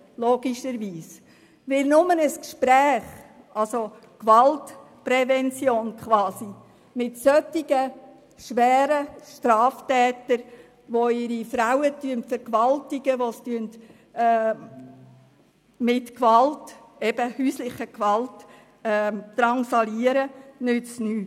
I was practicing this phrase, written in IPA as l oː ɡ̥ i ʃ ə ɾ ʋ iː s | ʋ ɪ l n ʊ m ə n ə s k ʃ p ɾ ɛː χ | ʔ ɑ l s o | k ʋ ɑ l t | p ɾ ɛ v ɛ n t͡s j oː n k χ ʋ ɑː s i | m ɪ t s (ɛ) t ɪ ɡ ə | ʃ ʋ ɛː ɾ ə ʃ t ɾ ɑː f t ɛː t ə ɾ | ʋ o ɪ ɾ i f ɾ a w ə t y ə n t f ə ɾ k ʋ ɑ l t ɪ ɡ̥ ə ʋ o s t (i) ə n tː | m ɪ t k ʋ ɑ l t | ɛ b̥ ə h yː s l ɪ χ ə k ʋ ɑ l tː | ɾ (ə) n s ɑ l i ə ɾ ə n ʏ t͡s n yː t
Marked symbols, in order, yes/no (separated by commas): no, no, no